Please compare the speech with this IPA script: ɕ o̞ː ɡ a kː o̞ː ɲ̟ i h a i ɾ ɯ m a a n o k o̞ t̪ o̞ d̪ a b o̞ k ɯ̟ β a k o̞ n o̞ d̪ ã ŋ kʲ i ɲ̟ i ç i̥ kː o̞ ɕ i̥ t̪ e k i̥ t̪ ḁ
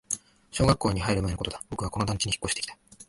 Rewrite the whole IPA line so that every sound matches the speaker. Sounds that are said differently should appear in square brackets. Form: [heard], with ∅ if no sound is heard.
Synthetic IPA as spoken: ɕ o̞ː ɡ a kː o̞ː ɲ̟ i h a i ɾ ɯ m a [e] n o k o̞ t̪ o̞ d̪ a b o̞ k ɯ̟ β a k o̞ n o̞ d̪ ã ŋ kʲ i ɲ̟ i ç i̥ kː o̞ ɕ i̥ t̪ e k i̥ t̪ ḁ